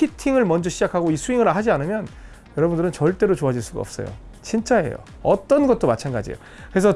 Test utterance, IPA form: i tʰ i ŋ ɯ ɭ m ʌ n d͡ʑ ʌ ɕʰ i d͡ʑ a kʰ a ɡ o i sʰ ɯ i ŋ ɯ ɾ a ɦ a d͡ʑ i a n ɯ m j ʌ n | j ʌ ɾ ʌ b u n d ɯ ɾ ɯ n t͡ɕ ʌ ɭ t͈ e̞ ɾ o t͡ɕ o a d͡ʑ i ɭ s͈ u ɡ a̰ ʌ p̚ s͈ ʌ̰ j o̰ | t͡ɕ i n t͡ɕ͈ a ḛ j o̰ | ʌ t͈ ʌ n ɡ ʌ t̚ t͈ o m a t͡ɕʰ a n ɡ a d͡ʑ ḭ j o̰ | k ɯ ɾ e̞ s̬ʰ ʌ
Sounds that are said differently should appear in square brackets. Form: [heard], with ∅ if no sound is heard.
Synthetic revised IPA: i tʰ i ŋ ɯ ɭ m ʌ n d͡ʑ ʌ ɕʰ i d͡ʑ a kʰ a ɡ o i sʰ [u] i ŋ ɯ ɾ a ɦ a d͡ʑ i a n ɯ m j ʌ n | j ʌ ɾ ʌ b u n d ɯ ɾ ɯ n t͡ɕ ʌ ɭ t͈ e̞ ɾ o t͡ɕ o a d͡ʑ i ɭ s͈ u ɡ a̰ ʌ p̚ s͈ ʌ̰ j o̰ | t͡ɕ i n t͡ɕ͈ a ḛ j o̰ | ʌ t͈ ʌ n ɡ ʌ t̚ t͈ o m a t͡ɕʰ a n ɡ a d͡ʑ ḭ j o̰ | k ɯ ɾ e̞ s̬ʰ ʌ